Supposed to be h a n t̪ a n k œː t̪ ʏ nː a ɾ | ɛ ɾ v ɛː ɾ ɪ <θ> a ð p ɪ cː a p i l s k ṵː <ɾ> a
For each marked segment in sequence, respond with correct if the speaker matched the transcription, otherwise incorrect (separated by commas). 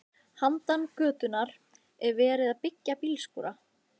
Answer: incorrect, correct